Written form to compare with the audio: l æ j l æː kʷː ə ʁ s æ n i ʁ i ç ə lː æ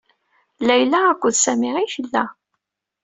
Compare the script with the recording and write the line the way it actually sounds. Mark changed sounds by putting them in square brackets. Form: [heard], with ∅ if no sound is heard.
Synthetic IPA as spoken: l æ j l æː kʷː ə [ð] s æ [m] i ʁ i ç ə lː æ